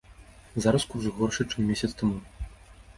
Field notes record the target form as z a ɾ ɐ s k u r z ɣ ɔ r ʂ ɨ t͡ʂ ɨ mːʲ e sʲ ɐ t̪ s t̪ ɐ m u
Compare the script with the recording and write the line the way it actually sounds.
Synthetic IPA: z a ɾ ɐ s k u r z ɣ ɔ r ʂ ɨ t͡ʂ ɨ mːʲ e sʲ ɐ t̪ s t̪ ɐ m u